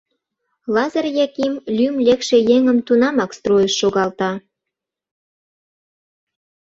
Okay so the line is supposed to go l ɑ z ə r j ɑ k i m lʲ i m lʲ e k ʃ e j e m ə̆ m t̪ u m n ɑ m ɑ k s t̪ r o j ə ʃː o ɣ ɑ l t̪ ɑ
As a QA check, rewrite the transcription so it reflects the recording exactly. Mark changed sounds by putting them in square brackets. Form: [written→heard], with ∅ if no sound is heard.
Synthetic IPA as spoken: l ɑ z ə r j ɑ k i m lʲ [i→y] m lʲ e k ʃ e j e [m→ŋ] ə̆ m t̪ u [m→∅] n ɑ m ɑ k s t̪ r o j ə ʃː o ɣ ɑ l t̪ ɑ